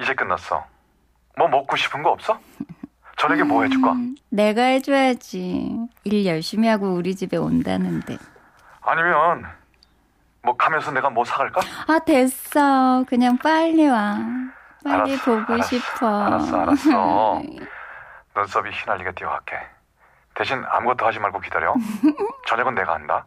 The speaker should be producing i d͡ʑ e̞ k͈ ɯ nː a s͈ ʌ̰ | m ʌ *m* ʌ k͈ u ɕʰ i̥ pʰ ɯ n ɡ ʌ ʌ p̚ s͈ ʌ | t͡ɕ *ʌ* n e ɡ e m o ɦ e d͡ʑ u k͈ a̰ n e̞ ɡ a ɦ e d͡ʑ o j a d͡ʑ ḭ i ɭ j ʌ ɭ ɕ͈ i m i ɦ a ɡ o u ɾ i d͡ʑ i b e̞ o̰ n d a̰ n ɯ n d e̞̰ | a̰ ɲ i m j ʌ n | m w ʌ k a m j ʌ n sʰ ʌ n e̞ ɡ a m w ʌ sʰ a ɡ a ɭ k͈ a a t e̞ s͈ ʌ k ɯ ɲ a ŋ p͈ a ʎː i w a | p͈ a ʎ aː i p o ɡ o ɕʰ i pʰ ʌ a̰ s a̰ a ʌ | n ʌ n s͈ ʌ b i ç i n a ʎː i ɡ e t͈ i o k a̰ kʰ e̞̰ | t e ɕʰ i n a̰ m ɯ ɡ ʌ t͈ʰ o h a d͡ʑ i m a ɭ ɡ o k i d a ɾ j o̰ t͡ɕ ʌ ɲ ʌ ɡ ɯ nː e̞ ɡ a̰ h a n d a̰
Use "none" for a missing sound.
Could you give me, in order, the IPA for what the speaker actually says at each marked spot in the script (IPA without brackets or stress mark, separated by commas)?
m, ʌ